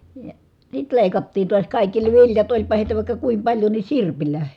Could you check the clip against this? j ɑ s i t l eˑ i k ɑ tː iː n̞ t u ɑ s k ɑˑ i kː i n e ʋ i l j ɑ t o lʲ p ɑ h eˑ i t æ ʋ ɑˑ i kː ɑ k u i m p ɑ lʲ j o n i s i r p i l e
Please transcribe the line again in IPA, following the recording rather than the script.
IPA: j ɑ s i t l eˑ i k ɑ tː iː n̞ t u ɑ s k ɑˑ i kː i n e ʋ i l j ɑ t o lʲ p ɑ h eˑ i t æ ʋ ɑˑ i kː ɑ k u i m p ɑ lʲ j o n i s i r p i l æ